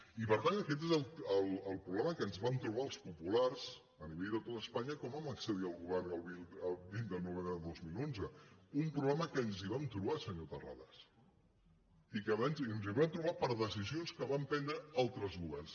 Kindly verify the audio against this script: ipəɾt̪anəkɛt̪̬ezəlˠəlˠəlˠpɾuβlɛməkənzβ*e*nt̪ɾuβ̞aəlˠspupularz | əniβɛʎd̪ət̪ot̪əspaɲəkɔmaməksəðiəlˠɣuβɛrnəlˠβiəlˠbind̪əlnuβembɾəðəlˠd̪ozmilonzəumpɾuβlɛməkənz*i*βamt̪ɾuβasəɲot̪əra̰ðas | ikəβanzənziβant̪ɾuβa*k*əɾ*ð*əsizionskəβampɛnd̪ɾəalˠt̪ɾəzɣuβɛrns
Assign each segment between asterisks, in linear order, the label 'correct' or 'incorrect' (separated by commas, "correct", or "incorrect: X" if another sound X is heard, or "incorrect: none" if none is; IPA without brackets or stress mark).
incorrect: a, correct, incorrect: p, correct